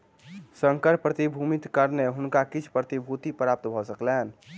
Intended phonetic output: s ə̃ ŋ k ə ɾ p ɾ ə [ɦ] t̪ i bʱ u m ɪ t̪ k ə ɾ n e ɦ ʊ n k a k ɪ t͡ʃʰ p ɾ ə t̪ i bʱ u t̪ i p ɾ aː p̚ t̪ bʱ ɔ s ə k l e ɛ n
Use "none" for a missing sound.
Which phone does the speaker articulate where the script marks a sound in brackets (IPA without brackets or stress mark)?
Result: none